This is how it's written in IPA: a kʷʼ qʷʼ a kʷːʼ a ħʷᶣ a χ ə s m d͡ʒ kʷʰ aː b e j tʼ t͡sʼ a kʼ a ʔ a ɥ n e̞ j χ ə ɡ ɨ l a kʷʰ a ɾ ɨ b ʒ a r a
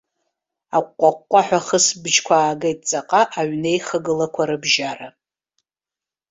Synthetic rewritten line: a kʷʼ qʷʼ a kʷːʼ a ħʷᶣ a χ ə s b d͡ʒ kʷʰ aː ɡ e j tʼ t͡sʼ a qʼ a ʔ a ɥ n e̞ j χ ə ɡ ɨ l a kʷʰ a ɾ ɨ b ʒ a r a